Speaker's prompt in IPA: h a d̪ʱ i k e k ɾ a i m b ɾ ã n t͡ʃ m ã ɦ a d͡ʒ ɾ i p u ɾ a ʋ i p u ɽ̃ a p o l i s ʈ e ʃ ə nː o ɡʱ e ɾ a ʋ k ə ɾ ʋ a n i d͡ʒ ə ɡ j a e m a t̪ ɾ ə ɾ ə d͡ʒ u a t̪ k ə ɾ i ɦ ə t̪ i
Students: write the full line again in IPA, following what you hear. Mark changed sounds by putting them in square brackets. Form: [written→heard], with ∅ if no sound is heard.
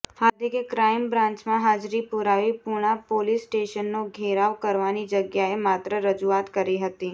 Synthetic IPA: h a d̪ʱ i k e k ɾ a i m b ɾ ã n t͡ʃ m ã ɦ a d͡ʒ ɾ i p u ɾ a ʋ i p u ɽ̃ a p o l i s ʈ e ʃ ə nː o ɡʱ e ɾ a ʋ k ə ɾ ʋ a n i d͡ʒ ə ɡ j a e m a t̪ ɾ ə ɾ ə d͡ʒ u a t̪ k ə ɾ i ɦ ə t̪ i

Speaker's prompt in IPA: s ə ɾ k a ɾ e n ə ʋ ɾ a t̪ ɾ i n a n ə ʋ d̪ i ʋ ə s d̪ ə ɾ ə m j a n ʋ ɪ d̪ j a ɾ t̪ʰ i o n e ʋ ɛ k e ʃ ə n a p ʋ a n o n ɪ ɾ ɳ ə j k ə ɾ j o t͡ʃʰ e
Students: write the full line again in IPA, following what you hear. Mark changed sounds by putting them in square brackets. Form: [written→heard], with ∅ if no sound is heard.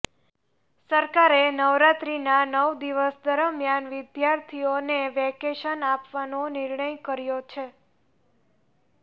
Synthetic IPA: s ə ɾ k a ɾ e n ə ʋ ɾ a t̪ ɾ i n a n ə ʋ d̪ i ʋ ə s d̪ ə ɾ ə m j a n ʋ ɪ d̪ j a ɾ t̪ʰ i o n e ʋ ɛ k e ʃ ə n a p ʋ a n o n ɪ ɾ ɳ ə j k ə ɾ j o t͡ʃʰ e

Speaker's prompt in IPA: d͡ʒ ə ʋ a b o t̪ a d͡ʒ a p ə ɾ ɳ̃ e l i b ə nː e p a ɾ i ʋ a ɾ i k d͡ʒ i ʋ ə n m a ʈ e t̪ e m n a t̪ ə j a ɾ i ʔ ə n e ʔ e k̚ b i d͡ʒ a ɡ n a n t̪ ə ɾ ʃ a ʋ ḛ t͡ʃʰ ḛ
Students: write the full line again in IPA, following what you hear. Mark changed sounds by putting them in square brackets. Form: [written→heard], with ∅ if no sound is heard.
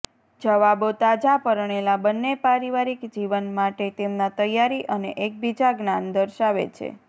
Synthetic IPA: d͡ʒ ə ʋ a b o t̪ a d͡ʒ a p ə ɾ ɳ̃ e l [i→a] b ə nː e p a ɾ i ʋ a ɾ i k d͡ʒ i ʋ ə n m a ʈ e t̪ e m n a t̪ ə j a ɾ i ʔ ə n e ʔ e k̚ b i d͡ʒ a ɡ n a n [t̪→d̪] ə ɾ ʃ a ʋ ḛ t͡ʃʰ ḛ

